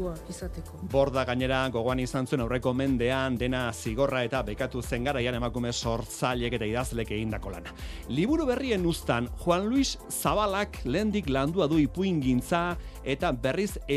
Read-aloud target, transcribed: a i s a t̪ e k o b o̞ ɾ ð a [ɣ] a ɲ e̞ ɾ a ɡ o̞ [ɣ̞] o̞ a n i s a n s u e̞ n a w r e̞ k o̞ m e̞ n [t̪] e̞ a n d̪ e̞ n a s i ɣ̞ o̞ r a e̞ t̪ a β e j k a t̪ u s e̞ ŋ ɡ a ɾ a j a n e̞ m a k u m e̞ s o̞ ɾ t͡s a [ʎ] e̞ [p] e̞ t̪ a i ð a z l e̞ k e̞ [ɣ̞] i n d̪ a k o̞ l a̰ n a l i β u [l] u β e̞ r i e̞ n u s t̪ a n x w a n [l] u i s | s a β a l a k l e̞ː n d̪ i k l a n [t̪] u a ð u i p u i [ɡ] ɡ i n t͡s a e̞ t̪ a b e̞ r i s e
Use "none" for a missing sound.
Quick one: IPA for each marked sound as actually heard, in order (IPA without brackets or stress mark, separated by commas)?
ɣ, ɣ̞, d̪, ʎ, k, ɣ̞, ɾ, l, d̪, ŋ